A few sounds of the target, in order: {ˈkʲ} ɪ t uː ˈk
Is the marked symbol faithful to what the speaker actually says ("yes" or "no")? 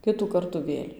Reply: yes